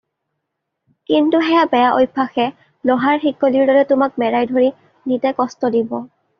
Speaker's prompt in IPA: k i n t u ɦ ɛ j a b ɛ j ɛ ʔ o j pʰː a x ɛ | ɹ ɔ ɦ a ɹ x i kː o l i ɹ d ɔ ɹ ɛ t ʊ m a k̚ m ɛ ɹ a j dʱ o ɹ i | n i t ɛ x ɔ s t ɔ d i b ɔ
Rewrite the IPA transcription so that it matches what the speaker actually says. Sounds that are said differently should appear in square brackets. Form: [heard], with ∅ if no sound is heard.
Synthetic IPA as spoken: k i n t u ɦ ɛ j a b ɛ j [a] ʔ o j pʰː a x ɛ | [l] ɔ ɦ a ɹ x i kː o l i ɹ d ɔ ɹ ɛ t ʊ m a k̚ m ɛ ɹ a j dʱ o ɹ i | n i t ɛ [k] ɔ s t ɔ d i b ɔ